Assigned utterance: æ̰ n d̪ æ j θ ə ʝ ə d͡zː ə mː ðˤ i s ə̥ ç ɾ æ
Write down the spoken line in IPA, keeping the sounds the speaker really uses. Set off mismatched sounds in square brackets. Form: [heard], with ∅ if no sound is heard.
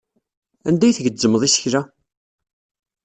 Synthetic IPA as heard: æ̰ n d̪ æ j θ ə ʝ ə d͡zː ə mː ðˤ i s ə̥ ç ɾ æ

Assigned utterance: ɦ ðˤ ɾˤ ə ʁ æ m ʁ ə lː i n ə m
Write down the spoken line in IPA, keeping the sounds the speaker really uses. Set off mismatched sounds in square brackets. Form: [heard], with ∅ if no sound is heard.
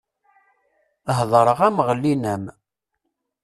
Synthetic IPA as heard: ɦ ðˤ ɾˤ ə ʁ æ m ʁ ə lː i n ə m

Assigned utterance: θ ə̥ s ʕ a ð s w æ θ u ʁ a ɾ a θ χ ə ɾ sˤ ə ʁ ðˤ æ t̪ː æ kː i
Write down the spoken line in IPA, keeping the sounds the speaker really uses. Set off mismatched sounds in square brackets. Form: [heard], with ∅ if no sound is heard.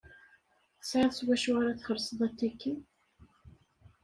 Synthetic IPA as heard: θ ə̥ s ʕ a ð s w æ [ʃ] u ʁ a ɾ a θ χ ə ɾ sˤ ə [∅] ðˤ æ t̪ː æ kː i

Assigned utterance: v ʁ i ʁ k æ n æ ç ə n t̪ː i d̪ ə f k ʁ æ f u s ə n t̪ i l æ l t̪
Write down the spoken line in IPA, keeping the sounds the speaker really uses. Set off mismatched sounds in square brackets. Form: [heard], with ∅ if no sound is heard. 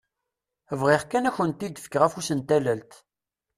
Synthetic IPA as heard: v ʁ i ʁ k æ n æ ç ə n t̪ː i d̪ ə f k ʁ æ f u s ə n t̪ [æ] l æ l t̪

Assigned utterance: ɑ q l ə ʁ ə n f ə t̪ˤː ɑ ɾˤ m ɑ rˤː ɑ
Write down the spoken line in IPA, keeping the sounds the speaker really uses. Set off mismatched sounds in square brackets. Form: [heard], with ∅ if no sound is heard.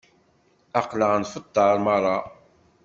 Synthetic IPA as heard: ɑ q l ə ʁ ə n f ə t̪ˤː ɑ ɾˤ m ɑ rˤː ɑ

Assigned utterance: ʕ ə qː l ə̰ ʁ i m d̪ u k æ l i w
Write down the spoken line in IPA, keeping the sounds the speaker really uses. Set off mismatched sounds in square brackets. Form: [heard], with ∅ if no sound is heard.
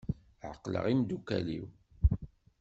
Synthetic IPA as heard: ʕ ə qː l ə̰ ʁ i m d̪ u k æ l i w

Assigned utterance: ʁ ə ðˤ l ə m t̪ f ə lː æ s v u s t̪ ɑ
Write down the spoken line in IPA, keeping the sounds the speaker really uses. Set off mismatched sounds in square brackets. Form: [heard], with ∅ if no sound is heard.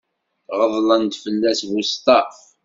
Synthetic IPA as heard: ʁ ə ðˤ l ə [n] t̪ f ə lː æ s v u s t̪ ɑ

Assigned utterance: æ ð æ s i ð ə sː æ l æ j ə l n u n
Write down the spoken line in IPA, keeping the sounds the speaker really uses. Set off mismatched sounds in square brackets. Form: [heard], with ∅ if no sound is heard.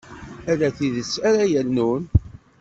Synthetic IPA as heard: æ ð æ [θ] i ð ə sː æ [ɾ] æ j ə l n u n

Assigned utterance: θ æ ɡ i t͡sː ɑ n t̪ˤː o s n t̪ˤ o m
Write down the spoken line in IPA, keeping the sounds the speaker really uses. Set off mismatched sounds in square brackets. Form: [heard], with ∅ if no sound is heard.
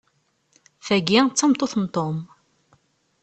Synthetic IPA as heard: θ æ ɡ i t͡sː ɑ [m] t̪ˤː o [θ] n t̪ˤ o m

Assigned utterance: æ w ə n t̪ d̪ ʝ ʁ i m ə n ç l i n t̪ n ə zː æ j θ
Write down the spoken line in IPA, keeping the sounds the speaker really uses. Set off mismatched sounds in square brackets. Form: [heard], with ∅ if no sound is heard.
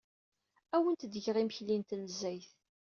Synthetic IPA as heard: æ w ə n t̪ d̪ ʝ ʁ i m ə [∅] ç l i n t̪ n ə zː æ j θ

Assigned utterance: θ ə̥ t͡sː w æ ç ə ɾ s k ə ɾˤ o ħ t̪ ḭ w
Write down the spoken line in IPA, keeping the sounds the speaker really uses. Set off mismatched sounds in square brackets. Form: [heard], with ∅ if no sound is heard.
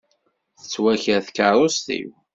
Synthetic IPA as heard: θ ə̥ t͡sː w æ ç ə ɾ [θ] k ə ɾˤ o [s] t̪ ḭ w

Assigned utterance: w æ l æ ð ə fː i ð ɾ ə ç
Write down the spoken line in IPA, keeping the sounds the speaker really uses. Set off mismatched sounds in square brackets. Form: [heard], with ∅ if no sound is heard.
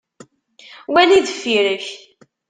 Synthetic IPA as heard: w æ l [i] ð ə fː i [∅] ɾ ə ç

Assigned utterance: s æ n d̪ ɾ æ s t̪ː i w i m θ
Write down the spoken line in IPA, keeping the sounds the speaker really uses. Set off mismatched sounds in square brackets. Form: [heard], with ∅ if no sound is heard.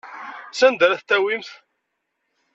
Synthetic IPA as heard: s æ n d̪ ɾ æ [θ] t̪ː [æ] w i m θ

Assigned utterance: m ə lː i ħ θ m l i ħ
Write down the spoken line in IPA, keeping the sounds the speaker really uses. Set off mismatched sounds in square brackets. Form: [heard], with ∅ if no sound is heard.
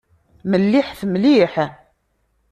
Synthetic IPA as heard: m ə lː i ħ θ m l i ħ

